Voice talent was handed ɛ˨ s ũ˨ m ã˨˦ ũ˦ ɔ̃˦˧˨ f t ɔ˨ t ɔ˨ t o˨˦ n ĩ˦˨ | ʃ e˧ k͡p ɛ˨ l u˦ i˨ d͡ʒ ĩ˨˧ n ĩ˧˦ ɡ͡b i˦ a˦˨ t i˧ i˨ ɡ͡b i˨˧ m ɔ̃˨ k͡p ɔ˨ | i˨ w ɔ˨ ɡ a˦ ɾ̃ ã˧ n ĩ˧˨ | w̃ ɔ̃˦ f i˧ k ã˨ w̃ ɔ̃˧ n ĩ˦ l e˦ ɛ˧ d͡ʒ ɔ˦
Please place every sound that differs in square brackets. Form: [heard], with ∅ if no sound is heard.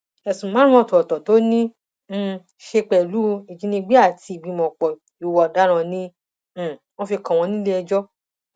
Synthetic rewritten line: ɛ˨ s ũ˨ m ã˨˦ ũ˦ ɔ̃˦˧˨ [∅] t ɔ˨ t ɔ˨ t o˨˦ n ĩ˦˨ | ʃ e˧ k͡p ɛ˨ l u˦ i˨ d͡ʒ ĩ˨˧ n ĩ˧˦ ɡ͡b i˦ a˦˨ t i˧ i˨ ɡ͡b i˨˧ m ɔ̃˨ k͡p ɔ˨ | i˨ w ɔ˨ [d] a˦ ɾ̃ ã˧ n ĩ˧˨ | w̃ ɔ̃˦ f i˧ k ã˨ w̃ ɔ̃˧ n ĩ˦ l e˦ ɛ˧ d͡ʒ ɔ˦